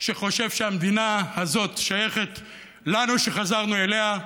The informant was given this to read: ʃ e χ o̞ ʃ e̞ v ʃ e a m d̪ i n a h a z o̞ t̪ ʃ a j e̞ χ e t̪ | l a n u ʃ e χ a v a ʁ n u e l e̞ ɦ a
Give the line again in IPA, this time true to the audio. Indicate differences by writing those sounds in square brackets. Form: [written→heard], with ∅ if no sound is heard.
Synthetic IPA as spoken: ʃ e χ o̞ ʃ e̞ v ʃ e a m d̪ i n a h a z o̞ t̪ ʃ a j e̞ χ e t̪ | l a n u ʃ e χ a [v→z] a ʁ n u e l e̞ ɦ a